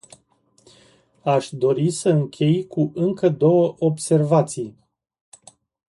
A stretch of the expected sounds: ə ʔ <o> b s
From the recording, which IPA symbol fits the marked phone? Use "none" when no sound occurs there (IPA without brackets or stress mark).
o